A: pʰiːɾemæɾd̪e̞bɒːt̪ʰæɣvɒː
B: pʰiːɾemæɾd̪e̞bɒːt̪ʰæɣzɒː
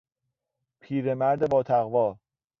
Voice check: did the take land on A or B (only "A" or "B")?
A